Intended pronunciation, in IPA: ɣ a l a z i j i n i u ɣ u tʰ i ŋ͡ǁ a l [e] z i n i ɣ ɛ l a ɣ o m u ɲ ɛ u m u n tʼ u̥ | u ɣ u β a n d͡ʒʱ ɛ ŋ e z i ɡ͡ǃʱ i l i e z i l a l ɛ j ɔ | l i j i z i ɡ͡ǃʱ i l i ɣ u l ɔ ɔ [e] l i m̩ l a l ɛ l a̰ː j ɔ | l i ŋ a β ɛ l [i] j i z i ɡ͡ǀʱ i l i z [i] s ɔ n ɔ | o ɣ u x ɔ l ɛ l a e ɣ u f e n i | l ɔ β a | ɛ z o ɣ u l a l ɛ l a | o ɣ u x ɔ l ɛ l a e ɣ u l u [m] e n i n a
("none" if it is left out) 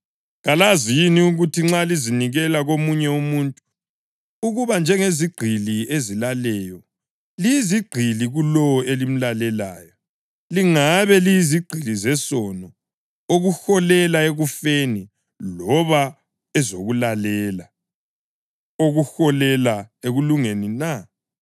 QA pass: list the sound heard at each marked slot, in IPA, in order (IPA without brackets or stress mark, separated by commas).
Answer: i, e, i, ɛ, ŋ